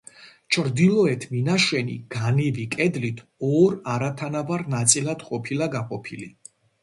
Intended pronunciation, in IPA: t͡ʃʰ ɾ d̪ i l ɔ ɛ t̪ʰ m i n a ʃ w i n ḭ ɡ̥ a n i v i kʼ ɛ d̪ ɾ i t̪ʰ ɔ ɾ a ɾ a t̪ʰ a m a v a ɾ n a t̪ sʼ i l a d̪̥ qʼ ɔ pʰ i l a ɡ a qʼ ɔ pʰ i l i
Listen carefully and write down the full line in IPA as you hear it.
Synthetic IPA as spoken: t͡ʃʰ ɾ d̪ i l ɔ ɛ t̪ʰ m i n a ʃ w ɛ n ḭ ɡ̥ a n i v i kʼ ɛ d̪ l i t̪ʰ ɔ ɾ a ɾ a t̪ʰ a n a v a ɾ n a t̪ sʼ i l a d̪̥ qʼ ɔ pʰ i l a ɡ a qʼ ɔ pʰ i l i